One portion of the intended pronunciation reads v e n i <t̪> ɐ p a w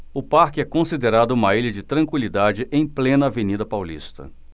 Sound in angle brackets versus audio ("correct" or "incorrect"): incorrect